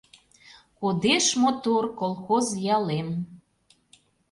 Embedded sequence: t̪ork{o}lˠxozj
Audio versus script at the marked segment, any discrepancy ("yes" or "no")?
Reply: no